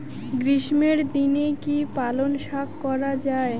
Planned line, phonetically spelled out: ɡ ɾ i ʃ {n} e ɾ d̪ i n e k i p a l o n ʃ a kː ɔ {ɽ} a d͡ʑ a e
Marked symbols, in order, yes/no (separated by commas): no, no